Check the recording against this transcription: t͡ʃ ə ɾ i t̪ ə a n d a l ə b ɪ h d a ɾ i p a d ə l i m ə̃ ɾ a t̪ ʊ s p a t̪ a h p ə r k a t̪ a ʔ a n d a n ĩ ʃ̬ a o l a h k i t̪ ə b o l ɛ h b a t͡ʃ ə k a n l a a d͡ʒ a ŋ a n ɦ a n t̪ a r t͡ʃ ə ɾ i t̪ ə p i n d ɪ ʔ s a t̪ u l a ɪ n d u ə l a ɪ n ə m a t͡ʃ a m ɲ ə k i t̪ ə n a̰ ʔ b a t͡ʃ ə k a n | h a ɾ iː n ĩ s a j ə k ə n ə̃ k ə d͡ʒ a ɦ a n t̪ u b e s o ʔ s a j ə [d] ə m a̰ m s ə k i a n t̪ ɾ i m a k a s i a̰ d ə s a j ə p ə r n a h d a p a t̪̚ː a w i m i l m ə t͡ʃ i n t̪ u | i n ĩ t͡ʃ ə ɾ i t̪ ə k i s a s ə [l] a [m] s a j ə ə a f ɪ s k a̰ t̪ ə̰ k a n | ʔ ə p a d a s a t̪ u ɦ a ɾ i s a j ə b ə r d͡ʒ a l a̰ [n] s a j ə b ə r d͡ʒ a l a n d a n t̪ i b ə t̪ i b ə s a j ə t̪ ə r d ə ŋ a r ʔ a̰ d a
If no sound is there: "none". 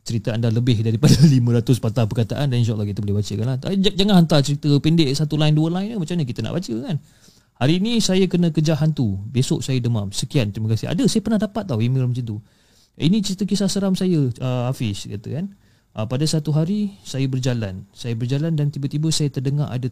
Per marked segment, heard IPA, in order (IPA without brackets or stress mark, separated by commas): d, ɾ, m, n